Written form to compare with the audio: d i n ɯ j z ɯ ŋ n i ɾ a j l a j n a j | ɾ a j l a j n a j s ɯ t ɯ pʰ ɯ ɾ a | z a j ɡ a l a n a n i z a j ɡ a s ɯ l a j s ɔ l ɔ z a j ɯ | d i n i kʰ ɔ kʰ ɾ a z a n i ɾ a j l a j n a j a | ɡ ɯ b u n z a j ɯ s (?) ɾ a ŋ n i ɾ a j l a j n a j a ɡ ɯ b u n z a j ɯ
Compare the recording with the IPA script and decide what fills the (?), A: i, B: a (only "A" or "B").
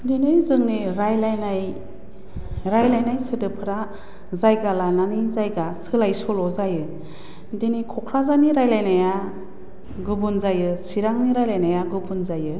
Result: A